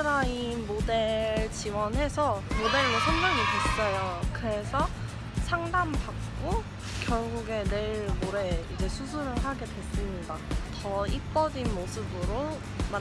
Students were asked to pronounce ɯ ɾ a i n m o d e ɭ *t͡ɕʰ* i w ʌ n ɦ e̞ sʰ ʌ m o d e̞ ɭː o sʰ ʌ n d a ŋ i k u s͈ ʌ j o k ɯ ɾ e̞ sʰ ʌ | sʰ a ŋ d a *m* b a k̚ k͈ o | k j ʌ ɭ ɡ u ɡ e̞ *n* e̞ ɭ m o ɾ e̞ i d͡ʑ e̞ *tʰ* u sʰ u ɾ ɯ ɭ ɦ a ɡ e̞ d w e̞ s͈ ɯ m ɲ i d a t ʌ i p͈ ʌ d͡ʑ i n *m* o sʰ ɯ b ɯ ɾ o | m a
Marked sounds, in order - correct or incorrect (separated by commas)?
incorrect, correct, correct, incorrect, correct